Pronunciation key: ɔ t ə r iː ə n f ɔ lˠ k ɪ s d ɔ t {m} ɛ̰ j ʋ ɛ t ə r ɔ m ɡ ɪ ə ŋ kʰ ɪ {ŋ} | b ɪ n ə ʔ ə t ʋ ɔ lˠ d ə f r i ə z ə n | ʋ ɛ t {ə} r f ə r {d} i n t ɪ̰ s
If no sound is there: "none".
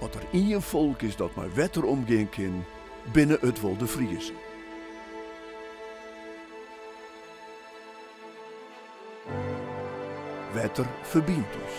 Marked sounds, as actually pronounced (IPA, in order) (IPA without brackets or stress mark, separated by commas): m, n, ə, b